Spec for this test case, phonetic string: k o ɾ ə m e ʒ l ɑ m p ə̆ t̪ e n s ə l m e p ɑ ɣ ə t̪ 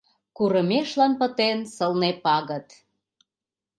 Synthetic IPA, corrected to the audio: k u ɾ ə m e ʃ l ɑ n p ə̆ t̪ e n s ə l n e p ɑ ɣ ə t̪